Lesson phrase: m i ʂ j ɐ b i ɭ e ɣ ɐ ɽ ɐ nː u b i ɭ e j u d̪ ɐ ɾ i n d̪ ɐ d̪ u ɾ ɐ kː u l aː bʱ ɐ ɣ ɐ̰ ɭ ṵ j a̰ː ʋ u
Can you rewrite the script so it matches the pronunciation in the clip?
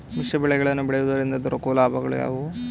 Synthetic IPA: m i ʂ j ɐ b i ɭ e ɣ ɐ ɭ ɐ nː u b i ɭ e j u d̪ ɐ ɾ i n d̪ ɐ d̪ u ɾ ɐ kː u l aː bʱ ɐ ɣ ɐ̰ ɭ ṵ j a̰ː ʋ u